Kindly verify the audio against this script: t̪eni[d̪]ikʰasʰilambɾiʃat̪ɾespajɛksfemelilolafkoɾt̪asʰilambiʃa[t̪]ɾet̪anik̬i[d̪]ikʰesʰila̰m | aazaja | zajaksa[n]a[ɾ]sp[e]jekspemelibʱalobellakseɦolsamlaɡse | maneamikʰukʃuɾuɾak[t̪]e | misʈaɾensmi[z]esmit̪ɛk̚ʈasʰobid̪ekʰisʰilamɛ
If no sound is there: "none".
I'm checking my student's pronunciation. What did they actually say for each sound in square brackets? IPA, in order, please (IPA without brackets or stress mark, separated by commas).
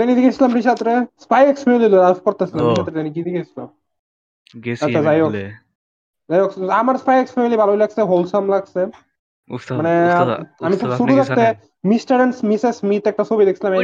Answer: d̪, t̪, d̪, m, ɾ, a, t̪, s